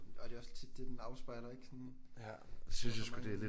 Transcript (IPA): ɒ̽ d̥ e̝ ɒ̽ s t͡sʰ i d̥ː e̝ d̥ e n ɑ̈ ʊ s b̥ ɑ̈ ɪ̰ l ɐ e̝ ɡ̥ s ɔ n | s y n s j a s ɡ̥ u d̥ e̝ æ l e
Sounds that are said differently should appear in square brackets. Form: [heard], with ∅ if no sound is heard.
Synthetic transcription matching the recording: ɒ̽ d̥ e̝ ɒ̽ s t͡sʰ i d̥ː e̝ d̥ e n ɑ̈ ʊ s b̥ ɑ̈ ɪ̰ l ɐ e̝ ɡ̥ s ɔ n | s y n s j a s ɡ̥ u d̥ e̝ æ l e